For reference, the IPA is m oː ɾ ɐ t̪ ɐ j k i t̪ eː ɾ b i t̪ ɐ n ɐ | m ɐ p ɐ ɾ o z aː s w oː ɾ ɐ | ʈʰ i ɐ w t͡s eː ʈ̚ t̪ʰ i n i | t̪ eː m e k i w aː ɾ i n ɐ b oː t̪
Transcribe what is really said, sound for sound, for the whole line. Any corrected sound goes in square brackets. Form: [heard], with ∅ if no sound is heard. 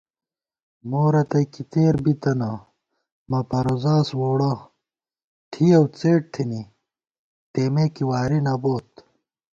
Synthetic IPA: m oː ɾ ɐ t̪ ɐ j k i t̪ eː ɾ b i t̪ ɐ n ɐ | m ɐ p ɐ ɾ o z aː s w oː [ɽ] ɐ | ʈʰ i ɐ w t͡s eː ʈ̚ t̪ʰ i n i | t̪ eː m e k i w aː ɾ i n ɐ b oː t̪